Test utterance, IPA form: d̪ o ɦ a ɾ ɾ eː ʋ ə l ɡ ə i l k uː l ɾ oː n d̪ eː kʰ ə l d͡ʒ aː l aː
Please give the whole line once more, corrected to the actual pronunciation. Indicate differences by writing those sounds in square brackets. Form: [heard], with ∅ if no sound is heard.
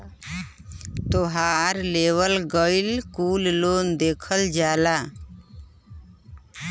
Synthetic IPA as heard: [t̪] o ɦ a ɾ [l] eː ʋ ə l ɡ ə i l k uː l [l] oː n d̪ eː kʰ ə l d͡ʒ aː l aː